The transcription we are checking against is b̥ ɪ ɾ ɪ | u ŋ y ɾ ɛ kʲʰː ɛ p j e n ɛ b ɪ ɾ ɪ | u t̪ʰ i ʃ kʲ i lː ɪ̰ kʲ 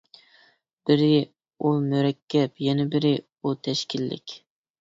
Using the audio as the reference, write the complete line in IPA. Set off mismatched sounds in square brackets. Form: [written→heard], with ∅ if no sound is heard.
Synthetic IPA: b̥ ɪ ɾ ɪ | u [ŋ→m] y ɾ ɛ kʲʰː ɛ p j [e→ɛ] n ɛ b ɪ ɾ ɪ | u t̪ʰ [i→ɛ] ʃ kʲ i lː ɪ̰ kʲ